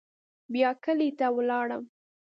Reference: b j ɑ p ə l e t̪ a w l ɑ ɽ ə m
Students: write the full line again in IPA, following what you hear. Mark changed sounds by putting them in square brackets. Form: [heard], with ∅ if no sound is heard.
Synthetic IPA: b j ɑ [k] ə l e t̪ a w l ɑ ɽ ə m